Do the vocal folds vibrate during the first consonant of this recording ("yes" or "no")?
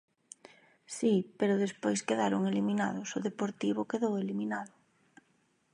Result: no